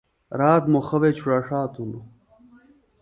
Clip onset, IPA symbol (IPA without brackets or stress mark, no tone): ɾ